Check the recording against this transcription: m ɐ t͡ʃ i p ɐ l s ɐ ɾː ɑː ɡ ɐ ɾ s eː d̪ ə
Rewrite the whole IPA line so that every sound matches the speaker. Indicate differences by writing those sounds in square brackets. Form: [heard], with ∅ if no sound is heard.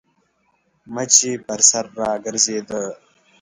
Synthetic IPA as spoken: m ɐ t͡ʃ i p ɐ [ɾ] s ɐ ɾː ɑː ɡ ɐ ɾ [z] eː d̪ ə

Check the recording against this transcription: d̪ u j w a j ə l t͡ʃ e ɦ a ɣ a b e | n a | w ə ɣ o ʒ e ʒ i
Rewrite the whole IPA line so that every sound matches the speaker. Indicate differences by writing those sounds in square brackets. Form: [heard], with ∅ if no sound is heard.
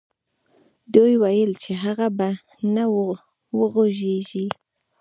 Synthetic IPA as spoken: d̪ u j w a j ə l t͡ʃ e ɦ a ɣ a b [a] | n a | w ə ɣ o ʒ e ʒ i

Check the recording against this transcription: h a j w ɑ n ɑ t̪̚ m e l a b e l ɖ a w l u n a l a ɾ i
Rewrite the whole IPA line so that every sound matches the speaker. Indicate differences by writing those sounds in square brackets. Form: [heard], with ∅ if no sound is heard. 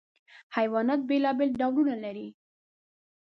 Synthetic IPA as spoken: h a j w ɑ n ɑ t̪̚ [b] e l [ɑ] b e l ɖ a w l u n a l a ɾ i

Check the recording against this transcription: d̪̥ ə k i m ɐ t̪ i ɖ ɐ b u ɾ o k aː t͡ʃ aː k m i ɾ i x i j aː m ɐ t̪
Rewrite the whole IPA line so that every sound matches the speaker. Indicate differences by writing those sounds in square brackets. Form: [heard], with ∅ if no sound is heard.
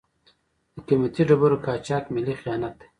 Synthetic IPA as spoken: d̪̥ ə k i m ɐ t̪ i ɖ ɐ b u ɾ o k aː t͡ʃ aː k m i [l] i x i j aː [n] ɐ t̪

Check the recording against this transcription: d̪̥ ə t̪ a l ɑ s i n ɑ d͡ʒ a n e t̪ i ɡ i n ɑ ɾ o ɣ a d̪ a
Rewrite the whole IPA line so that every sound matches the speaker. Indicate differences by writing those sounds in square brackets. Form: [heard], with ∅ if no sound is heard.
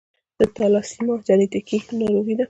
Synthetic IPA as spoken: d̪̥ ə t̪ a l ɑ s i [m] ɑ d͡ʒ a n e t̪ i [k] i n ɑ ɾ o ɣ [i] d̪ a

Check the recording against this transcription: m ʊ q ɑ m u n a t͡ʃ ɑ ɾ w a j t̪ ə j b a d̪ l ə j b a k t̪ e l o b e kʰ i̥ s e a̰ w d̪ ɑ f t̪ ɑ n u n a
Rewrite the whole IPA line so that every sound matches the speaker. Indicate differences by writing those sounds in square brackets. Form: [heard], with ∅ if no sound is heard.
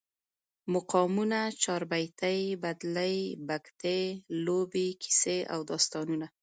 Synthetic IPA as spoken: m ʊ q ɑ m u n a t͡ʃ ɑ ɾ [b] a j t̪ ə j b a d̪ l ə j b a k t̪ e l o b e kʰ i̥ s e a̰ w d̪ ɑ [s] t̪ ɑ n u n a

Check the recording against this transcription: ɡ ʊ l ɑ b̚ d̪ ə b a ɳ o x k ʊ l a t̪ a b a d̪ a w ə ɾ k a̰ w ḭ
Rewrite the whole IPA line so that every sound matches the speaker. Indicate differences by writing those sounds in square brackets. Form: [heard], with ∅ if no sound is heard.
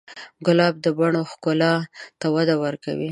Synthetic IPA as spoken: ɡ ʊ l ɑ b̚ d̪ ə b a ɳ o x k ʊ l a t̪ a [w] a d̪ a w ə ɾ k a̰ w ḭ

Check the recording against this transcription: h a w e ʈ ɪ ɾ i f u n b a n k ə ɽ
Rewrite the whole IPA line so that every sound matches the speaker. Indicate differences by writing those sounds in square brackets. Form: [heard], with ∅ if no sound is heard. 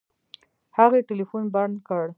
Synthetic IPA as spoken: h a [ɣ] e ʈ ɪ [l] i f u n b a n k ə ɽ

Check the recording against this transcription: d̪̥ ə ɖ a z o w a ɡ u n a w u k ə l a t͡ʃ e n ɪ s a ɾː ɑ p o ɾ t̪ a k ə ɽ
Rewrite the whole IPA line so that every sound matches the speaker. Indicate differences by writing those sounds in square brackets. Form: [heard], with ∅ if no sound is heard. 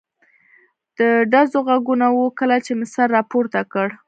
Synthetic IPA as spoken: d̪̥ ə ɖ a z o [ɣ] a ɡ u n a w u k ə l a t͡ʃ e [m] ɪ s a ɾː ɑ p o ɾ t̪ a k ə ɽ

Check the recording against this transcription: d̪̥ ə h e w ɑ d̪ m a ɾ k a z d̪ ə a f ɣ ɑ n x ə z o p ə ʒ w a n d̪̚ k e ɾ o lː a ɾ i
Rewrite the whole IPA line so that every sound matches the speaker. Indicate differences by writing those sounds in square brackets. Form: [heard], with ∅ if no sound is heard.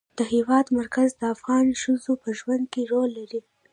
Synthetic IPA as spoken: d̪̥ ə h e w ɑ d̪ m a ɾ k a z d̪ ə a f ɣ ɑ n [ʃ] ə z o p ə ʒ w a n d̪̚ k e ɾ o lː a ɾ i

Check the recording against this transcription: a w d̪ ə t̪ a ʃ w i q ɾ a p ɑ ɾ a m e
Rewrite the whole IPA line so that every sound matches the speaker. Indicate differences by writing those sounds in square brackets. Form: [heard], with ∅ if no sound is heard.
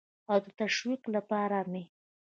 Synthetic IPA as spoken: a w d̪ ə t̪ a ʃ w i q [l] a p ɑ ɾ a m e

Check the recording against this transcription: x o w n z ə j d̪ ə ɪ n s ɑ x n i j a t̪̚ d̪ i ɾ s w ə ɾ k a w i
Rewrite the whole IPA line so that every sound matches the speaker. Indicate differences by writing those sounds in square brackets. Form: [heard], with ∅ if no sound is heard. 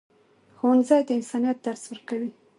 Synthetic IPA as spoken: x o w n z [ɑ] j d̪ ə ɪ n s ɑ [∅] n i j a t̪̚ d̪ [a] ɾ s w ə ɾ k a w i

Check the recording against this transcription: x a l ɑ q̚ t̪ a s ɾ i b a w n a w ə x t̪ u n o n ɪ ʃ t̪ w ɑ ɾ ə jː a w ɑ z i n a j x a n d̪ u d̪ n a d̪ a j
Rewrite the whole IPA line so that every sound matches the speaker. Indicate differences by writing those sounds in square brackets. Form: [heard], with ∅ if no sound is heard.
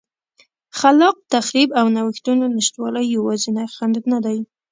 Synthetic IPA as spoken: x a l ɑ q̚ t̪ a [x] ɾ i b a w n a w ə x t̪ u n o n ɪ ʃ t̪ w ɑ [l] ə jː a w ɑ z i n a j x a n d̪ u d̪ n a d̪ a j

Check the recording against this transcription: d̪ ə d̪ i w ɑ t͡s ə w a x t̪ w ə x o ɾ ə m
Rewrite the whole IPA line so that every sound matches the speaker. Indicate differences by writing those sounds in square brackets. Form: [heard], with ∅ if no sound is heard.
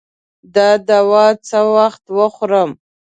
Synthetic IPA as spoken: d̪ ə d̪ [a] w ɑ t͡s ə w a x t̪ w ə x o ɾ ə m

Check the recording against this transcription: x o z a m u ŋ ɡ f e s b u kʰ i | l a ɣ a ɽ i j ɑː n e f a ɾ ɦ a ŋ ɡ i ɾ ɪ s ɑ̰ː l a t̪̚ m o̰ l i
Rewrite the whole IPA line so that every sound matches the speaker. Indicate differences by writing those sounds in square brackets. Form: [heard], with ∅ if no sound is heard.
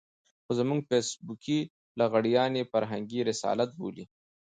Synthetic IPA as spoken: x o z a m u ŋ ɡ f e s b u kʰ i | l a ɣ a ɽ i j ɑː n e f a ɾ ɦ a ŋ ɡ i ɾ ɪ s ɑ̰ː l a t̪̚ [b] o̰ l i

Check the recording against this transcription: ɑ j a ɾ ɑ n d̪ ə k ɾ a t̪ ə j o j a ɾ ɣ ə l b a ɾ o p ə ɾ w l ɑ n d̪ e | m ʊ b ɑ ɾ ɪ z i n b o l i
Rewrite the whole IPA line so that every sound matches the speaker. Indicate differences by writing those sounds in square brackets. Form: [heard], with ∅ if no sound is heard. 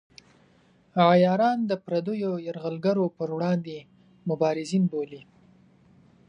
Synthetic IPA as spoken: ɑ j [ɑ] ɾ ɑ n d̪ ə [p] ɾ a [d̪] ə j o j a ɾ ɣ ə l [ɡ] a ɾ o p ə ɾ w [ɽ] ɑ n d̪ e | m ʊ b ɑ ɾ ɪ z i n b o l i

